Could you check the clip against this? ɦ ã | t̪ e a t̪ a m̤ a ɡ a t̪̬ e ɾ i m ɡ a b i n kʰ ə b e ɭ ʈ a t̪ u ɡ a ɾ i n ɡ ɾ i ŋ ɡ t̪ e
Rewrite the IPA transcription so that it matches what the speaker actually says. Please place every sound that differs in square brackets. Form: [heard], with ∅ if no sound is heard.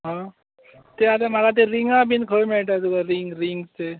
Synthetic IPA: ɦ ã | t̪ e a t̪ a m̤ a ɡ a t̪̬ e ɾ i [ŋ] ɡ a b i n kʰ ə [m] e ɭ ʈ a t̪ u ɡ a ɾ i [ŋ] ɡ ɾ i ŋ ɡ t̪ e